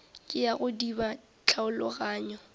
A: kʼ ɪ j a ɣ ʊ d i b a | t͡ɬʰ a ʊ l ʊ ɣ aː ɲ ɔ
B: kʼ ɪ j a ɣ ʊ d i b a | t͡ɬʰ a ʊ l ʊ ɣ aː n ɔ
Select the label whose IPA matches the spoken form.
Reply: A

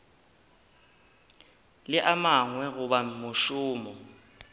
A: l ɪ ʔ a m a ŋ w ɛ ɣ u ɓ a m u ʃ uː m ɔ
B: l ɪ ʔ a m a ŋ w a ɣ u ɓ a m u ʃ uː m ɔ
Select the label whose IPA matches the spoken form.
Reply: A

